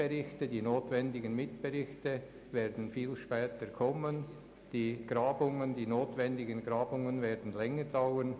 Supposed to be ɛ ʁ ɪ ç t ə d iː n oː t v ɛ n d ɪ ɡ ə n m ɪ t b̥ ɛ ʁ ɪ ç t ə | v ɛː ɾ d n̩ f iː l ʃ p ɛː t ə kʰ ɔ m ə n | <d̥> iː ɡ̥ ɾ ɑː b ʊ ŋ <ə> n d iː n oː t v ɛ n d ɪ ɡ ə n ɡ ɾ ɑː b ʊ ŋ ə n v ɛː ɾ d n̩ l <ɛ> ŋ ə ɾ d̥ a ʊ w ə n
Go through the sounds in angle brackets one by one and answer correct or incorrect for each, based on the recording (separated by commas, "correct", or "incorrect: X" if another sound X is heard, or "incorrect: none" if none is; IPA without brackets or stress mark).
correct, correct, correct